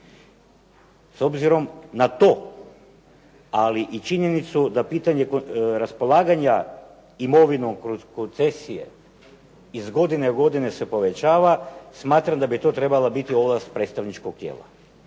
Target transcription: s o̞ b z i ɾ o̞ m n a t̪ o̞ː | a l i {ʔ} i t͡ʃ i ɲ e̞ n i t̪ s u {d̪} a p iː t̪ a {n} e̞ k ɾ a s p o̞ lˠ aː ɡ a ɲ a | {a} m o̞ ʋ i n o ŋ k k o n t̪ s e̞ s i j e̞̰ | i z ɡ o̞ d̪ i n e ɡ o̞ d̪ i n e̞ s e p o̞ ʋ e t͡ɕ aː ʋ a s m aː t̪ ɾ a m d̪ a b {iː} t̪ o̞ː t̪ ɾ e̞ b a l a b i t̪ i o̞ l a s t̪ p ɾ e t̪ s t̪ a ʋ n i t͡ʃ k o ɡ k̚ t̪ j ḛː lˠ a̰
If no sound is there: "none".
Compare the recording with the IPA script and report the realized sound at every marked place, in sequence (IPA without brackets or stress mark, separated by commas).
ʔ, d̪, ɲ, i, i